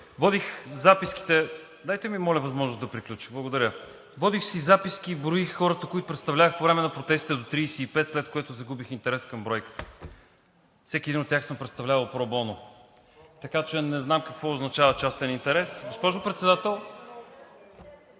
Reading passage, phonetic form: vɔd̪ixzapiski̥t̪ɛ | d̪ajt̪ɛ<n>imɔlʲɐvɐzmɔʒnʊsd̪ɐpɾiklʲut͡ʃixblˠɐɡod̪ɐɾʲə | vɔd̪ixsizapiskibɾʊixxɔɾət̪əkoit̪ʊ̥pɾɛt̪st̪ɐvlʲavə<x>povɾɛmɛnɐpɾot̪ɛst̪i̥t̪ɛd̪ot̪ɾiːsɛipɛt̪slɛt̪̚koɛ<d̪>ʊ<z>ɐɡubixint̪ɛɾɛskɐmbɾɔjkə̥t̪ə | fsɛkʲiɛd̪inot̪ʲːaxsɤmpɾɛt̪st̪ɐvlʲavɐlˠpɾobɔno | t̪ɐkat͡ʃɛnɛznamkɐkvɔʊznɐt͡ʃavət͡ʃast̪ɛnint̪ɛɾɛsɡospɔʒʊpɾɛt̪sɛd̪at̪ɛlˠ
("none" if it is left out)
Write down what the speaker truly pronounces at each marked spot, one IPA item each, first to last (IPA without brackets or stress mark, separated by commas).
m, x, t̪, z